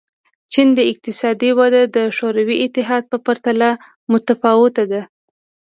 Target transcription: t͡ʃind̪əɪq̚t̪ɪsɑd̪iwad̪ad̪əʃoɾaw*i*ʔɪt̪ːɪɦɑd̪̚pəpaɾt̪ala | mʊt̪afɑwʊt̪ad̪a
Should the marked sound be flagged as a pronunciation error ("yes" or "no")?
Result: no